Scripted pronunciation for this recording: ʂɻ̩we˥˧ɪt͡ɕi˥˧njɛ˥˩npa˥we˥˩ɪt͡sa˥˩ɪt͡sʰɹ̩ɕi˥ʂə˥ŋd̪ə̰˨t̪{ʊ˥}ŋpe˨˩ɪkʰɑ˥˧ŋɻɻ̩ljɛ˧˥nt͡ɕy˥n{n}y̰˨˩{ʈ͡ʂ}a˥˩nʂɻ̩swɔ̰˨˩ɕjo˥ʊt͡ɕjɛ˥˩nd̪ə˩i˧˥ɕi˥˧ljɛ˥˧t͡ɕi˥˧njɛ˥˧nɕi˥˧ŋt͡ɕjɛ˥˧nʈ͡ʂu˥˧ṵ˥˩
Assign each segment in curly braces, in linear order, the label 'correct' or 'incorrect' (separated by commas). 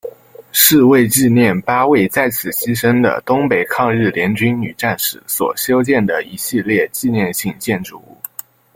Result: correct, correct, correct